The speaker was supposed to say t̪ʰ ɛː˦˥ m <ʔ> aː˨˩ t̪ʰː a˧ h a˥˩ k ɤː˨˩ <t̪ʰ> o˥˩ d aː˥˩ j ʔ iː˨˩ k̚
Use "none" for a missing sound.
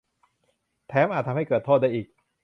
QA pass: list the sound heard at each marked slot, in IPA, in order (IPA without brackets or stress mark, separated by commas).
ʔ, t̪ʰ